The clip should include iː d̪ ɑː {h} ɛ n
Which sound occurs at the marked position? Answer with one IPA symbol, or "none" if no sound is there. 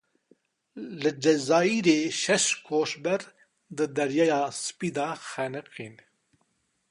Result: x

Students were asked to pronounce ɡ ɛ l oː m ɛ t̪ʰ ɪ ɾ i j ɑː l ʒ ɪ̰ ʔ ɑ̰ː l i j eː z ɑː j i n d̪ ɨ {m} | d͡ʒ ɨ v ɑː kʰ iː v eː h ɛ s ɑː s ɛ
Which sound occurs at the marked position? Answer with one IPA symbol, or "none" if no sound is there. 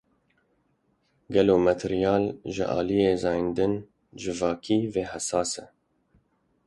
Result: n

